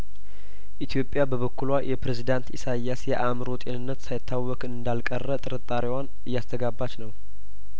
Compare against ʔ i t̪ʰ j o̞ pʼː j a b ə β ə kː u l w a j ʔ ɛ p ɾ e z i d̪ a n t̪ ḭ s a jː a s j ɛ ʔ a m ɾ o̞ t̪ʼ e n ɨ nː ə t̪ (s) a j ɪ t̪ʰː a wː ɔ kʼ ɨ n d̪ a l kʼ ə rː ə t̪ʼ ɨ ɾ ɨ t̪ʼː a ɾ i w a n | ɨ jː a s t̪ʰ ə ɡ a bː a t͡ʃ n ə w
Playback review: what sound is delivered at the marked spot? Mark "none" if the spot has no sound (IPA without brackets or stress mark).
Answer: s